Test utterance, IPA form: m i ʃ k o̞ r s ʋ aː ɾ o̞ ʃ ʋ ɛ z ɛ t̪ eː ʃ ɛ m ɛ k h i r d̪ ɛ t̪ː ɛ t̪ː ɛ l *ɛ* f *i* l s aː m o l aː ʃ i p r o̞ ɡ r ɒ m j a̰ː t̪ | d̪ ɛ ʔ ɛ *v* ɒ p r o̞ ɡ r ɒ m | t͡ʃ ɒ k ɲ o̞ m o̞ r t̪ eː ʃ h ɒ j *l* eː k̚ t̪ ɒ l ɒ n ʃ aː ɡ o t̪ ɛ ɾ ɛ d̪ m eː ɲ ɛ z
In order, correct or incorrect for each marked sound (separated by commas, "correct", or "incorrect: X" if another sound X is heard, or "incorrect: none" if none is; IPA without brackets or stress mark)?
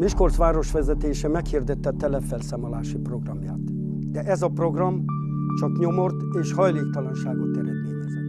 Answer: correct, incorrect: ɛ, incorrect: z, correct